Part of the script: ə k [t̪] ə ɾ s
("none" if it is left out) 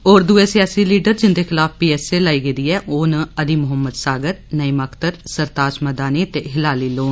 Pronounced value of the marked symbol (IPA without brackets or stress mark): t̪